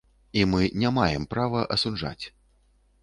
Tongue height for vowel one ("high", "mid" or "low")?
high